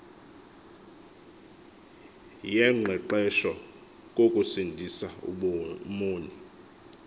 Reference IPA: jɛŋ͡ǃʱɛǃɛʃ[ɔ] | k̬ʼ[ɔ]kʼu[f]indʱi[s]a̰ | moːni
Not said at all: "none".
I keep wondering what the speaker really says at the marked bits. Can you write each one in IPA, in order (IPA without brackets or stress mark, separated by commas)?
ɔ, o, s, s